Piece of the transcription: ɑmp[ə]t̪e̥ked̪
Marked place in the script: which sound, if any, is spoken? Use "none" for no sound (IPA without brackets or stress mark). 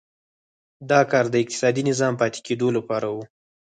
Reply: ɑ